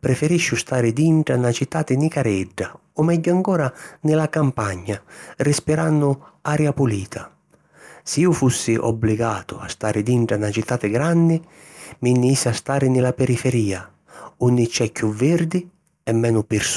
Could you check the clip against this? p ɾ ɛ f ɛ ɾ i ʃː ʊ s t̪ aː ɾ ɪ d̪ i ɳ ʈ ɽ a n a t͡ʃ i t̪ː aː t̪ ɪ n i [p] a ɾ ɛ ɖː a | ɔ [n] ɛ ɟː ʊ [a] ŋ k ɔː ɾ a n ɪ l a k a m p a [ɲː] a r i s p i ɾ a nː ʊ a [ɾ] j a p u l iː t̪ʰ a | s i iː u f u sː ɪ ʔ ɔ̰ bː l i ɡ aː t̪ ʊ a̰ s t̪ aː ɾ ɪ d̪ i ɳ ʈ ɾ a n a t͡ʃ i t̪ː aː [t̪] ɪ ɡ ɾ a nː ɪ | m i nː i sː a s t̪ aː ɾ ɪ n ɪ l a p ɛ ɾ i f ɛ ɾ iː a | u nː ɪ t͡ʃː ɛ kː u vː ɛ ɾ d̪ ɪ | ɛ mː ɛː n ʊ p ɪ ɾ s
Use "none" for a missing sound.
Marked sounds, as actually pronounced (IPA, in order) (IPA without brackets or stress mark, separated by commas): k, m, a, ɲː, ɾ, t̪